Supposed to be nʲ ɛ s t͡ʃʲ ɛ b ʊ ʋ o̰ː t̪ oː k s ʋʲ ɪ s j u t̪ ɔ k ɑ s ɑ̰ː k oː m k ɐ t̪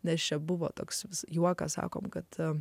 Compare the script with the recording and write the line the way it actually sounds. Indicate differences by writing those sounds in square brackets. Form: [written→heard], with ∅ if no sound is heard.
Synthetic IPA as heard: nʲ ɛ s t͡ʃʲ ɛ b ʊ ʋ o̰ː t̪ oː k s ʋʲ ɪ s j u [t̪→∅] ɔ k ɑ s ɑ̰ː k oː m k ɐ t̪